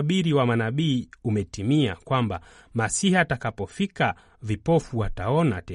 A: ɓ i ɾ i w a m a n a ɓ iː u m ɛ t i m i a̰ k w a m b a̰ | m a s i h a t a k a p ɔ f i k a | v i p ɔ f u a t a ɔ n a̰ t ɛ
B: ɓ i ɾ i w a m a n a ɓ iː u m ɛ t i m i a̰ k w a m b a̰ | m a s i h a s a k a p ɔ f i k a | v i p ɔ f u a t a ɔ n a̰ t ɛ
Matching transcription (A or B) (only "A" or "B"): A